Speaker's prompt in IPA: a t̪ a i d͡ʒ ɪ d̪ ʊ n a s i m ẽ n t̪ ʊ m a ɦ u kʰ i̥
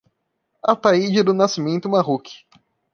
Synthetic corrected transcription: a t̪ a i d͡ʒ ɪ d̪ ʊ n a s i m ẽ n t̪ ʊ m a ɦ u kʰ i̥